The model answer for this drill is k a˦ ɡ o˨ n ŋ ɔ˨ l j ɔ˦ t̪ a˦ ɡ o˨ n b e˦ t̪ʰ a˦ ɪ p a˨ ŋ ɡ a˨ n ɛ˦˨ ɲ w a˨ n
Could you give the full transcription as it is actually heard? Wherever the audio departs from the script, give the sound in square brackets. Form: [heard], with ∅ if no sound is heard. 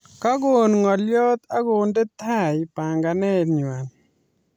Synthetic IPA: k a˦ ɡ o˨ n ŋ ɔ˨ l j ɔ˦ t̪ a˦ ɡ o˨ n [d] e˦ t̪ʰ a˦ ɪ p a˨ ŋ ɡ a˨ n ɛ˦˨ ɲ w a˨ n